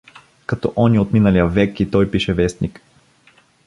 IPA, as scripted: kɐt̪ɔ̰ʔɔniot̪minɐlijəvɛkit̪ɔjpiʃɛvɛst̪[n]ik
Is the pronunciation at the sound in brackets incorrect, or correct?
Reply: correct